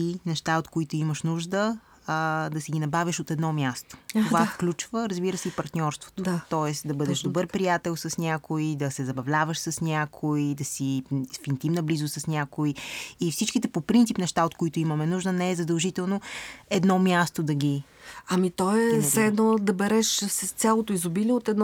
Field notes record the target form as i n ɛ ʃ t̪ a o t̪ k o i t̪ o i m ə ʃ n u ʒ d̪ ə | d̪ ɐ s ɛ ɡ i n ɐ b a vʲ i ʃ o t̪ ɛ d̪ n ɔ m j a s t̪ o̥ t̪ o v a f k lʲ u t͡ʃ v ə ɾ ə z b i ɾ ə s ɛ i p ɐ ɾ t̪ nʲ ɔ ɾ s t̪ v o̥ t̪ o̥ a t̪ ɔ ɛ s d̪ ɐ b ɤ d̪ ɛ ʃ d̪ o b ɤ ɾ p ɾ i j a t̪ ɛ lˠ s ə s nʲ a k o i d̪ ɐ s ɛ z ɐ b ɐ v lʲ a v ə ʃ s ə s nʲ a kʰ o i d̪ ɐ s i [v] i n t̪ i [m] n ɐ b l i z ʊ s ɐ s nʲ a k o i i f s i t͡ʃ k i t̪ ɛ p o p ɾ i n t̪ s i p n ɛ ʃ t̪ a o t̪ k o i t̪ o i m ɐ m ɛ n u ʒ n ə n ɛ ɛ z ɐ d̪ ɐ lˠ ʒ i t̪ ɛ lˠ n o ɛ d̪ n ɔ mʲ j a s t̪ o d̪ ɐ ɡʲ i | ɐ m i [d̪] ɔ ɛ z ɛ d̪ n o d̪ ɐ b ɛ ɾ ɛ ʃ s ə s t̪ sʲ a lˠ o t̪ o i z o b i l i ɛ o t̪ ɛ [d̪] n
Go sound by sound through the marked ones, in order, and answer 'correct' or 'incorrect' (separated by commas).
incorrect, correct, incorrect, correct